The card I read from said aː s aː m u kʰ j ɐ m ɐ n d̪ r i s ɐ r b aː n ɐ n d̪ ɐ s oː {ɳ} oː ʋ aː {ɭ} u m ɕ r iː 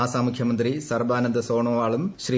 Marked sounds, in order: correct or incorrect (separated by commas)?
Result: correct, correct